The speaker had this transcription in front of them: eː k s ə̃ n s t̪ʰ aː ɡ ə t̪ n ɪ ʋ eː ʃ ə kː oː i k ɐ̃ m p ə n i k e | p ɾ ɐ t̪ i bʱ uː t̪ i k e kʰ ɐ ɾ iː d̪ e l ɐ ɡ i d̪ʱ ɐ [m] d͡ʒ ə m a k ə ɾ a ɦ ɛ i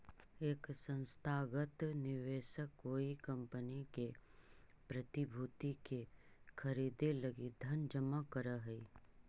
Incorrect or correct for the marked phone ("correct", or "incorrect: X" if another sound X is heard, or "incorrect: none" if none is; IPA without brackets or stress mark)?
incorrect: n